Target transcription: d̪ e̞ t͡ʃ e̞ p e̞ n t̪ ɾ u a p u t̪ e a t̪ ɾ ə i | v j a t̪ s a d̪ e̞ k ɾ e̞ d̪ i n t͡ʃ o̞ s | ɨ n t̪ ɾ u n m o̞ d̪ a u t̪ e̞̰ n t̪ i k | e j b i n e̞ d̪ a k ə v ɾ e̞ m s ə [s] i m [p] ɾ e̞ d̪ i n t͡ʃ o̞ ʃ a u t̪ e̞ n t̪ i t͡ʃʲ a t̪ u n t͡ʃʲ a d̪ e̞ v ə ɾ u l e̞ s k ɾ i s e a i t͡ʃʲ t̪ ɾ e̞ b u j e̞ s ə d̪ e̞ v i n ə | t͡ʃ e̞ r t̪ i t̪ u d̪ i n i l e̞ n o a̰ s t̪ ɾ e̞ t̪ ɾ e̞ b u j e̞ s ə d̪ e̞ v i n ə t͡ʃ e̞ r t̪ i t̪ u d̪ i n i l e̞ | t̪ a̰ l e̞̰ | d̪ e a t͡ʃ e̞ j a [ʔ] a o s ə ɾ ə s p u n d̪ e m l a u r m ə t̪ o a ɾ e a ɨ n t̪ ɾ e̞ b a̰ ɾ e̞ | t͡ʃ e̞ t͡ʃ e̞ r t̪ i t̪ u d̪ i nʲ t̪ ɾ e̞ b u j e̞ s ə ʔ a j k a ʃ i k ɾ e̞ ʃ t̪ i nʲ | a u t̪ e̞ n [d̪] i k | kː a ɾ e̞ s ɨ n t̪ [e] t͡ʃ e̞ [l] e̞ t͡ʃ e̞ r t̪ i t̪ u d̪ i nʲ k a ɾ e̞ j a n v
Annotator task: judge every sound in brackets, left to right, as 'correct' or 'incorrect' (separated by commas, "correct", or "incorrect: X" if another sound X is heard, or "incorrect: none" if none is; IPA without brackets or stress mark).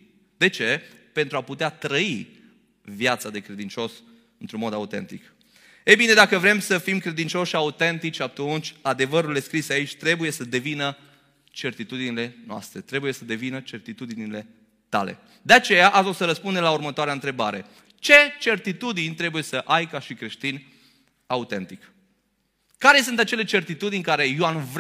incorrect: f, incorrect: k, correct, incorrect: t̪, incorrect: a, correct